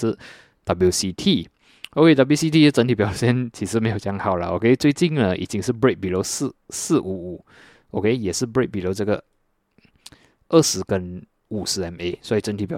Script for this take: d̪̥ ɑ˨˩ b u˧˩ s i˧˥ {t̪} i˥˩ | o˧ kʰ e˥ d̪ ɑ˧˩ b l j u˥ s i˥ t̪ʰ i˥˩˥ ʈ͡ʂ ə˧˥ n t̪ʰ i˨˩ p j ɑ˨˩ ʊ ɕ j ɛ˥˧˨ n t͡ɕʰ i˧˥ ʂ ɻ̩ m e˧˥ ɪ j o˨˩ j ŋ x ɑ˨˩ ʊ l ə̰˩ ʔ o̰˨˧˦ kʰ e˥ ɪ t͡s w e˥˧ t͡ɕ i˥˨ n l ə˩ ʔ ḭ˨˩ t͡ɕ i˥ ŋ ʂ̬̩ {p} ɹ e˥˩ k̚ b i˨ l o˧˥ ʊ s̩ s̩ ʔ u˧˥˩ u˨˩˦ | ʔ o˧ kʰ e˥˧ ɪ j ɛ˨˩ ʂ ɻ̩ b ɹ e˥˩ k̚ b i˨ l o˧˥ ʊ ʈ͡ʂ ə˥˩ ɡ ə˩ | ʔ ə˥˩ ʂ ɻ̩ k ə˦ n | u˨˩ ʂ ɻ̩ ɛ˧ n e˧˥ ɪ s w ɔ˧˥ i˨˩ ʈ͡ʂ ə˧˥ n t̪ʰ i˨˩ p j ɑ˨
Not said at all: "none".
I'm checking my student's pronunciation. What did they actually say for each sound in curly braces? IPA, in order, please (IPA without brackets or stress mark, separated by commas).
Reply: t̪ʰ, b